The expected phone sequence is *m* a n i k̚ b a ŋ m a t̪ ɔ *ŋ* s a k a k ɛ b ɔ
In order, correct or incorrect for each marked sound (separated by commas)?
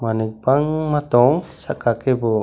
correct, correct